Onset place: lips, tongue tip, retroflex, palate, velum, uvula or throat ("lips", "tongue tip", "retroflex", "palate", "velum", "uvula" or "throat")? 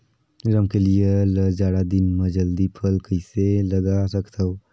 tongue tip